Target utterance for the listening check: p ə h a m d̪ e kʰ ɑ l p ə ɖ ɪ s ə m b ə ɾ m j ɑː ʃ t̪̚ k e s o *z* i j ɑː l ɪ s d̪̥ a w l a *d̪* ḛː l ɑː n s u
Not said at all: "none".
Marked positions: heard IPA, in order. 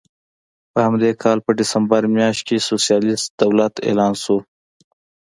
s, t̪

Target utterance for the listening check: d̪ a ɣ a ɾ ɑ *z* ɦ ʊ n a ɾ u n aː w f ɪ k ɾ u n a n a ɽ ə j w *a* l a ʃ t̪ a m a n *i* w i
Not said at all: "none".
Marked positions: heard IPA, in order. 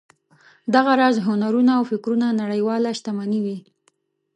z, ɑ, i

